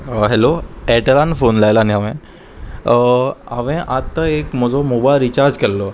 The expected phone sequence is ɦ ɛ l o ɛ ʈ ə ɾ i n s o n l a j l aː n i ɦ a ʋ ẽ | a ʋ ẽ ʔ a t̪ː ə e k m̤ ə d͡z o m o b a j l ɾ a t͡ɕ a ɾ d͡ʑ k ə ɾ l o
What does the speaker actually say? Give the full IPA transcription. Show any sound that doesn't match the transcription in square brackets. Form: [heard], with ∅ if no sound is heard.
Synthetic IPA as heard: ɦ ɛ l o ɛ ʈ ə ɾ [a] n [f] o n l a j l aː n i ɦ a ʋ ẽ | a ʋ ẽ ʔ a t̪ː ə e k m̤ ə d͡z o m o b a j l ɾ [i] t͡ɕ a ɾ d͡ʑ k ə ɾ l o